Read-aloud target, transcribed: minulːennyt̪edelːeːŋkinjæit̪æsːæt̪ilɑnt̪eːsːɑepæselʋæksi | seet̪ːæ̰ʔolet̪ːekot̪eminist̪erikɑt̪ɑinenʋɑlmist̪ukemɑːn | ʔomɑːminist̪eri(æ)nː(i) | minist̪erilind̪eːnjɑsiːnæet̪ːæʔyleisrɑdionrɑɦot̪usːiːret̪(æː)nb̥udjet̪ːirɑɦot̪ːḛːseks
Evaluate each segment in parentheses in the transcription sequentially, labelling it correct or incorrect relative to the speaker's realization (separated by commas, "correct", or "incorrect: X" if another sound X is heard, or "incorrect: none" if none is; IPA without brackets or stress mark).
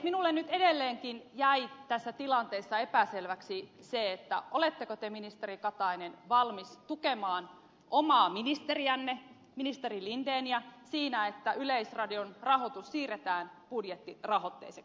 correct, incorrect: e, correct